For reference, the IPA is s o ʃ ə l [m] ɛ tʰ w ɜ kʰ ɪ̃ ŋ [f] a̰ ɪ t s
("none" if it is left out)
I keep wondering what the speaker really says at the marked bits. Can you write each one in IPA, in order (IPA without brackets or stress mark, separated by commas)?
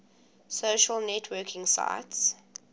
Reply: n, s